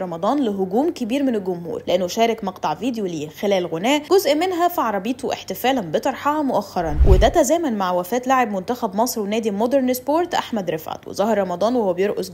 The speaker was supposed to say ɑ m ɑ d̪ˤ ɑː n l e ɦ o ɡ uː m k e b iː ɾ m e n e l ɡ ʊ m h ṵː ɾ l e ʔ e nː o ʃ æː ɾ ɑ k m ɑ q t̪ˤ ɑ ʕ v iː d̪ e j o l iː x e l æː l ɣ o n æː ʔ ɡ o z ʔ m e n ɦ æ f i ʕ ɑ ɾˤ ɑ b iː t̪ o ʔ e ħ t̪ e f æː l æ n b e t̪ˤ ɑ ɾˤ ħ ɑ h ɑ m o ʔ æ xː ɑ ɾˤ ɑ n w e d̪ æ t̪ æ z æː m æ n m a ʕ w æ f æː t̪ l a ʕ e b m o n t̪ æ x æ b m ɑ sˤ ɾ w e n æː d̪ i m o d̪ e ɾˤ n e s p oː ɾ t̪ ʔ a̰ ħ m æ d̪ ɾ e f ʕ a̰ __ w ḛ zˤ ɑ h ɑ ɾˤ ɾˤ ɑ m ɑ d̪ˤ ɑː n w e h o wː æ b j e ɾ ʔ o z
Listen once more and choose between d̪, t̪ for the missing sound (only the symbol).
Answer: t̪